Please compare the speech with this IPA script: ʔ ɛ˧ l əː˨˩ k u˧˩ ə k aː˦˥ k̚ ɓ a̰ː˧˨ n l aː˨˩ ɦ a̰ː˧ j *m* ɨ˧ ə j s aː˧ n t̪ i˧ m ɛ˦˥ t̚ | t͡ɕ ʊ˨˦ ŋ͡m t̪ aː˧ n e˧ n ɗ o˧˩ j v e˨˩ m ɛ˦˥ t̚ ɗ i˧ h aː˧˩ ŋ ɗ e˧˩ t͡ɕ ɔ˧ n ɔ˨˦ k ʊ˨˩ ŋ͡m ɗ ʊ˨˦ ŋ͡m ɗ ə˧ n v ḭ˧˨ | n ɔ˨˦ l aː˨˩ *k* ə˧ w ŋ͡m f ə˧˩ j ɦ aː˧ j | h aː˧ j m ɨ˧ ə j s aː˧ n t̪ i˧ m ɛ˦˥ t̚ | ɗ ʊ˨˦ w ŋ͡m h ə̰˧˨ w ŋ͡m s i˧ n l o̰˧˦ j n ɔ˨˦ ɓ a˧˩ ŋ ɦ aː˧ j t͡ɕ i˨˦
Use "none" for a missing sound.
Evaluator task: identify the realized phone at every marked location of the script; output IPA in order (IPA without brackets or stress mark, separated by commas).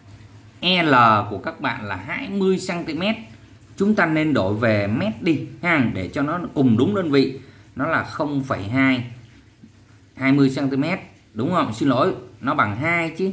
m, x